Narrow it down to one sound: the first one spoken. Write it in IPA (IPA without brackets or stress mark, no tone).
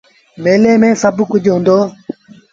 m